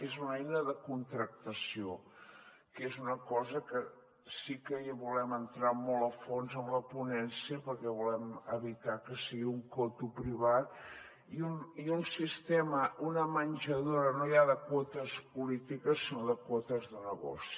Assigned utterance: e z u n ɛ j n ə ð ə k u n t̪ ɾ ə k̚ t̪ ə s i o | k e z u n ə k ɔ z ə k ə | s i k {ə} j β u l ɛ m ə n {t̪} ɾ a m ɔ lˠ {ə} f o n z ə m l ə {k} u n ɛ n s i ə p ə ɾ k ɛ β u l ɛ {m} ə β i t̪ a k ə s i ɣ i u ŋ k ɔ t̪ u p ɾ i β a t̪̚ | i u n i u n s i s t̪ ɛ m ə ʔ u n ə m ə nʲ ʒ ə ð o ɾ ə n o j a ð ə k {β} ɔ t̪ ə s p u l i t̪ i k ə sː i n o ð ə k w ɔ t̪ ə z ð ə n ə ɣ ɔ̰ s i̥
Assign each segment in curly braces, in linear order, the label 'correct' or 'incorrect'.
correct, correct, correct, incorrect: p, correct, incorrect: w

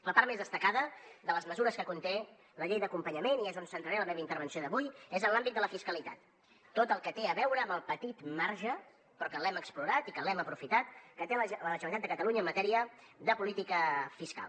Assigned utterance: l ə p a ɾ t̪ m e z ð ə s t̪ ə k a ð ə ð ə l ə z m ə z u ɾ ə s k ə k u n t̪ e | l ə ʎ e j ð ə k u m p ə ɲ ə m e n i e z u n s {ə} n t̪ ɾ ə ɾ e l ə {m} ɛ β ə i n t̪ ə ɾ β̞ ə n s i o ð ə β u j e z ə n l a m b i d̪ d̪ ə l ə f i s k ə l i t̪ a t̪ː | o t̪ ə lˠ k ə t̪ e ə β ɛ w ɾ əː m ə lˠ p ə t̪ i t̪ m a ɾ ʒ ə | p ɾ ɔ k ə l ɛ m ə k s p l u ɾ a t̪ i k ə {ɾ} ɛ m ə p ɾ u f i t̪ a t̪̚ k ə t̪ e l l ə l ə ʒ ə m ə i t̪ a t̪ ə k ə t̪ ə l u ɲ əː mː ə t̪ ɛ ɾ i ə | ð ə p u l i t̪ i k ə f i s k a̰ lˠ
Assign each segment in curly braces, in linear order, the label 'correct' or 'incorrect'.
correct, correct, incorrect: l

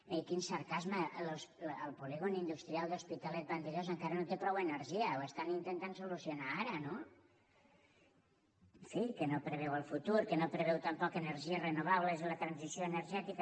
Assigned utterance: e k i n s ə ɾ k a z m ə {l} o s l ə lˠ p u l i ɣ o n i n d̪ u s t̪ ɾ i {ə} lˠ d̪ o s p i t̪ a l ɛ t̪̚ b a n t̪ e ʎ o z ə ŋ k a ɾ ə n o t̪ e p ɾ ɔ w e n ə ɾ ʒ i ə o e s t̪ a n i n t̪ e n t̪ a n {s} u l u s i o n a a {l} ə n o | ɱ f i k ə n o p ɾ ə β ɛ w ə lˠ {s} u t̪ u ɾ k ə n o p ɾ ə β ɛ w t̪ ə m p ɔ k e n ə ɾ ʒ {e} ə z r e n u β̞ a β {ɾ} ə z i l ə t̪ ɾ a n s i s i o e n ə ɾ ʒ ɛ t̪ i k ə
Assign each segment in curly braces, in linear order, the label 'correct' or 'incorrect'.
correct, incorrect: a, correct, incorrect: ɾ, incorrect: f, incorrect: i, incorrect: l

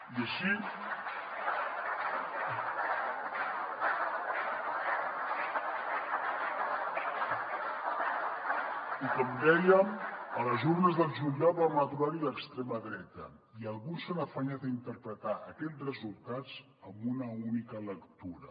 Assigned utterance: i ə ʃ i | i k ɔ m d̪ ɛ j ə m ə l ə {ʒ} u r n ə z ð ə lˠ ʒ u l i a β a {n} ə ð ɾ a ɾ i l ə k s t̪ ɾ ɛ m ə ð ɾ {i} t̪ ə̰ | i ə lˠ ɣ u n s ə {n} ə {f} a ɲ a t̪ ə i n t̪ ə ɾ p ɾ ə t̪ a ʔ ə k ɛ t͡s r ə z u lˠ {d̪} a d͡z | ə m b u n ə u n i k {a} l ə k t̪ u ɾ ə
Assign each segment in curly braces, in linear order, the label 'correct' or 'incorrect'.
incorrect: z, incorrect: m, incorrect: ɛ, correct, correct, incorrect: t̪, incorrect: ə

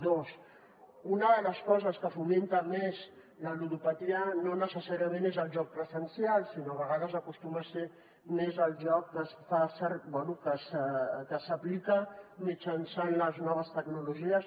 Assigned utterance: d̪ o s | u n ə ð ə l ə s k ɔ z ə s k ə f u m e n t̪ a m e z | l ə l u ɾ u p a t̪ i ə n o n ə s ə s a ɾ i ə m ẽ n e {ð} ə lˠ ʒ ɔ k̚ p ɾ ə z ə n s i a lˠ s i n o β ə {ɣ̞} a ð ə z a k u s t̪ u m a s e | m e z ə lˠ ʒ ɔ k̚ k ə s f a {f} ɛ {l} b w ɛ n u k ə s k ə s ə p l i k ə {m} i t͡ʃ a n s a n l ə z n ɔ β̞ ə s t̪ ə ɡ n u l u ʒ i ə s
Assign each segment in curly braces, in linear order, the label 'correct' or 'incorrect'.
incorrect: z, correct, incorrect: s, incorrect: ɾ, correct

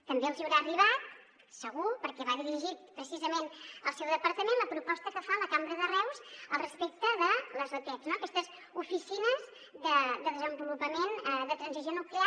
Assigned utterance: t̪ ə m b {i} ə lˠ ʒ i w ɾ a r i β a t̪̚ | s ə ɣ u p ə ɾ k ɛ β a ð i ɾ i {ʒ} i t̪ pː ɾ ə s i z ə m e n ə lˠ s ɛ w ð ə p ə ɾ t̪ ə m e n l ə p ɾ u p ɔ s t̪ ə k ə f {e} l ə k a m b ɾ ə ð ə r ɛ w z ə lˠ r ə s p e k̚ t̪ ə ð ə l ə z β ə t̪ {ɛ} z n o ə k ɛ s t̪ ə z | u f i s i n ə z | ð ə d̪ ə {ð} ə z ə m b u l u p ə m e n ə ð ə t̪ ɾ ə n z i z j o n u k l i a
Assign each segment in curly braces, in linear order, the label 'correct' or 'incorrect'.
incorrect: e, correct, incorrect: a, correct, correct

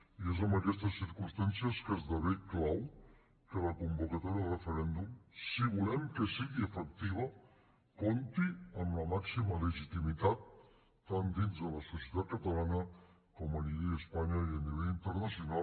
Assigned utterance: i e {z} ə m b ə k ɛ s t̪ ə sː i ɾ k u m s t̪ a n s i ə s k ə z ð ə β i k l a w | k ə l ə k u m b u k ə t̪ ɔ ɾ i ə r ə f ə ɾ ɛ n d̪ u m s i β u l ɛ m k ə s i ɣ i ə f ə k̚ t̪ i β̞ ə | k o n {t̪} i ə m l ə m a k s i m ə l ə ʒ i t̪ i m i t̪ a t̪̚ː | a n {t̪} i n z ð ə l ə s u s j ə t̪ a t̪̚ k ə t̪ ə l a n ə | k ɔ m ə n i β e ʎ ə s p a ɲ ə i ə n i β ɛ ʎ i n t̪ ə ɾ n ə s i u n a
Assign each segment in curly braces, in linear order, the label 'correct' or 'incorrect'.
correct, correct, incorrect: d̪

